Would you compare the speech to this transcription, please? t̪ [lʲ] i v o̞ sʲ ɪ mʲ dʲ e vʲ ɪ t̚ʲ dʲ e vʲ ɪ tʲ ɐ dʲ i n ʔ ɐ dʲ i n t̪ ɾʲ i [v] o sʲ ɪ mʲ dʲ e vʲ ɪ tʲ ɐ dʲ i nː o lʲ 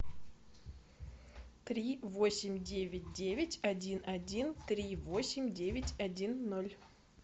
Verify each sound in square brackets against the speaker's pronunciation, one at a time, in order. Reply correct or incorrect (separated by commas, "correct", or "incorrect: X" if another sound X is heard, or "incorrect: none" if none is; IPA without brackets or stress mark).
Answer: incorrect: ɾʲ, correct